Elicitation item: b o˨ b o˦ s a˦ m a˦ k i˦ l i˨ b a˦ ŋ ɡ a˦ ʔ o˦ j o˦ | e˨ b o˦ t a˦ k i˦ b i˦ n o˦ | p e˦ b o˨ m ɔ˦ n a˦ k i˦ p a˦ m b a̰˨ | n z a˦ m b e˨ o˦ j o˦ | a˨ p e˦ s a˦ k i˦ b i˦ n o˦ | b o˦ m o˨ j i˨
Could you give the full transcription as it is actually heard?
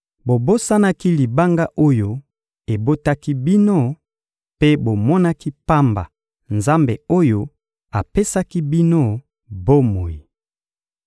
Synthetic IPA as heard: b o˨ b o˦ s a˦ n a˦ k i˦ l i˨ b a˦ ŋ ɡ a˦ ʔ o˦ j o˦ | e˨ b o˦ t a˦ k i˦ b i˦ n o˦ | p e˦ b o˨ m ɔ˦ n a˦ k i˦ p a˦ m b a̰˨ | n z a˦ m b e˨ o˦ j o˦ | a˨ p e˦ s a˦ k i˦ b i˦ n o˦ | b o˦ m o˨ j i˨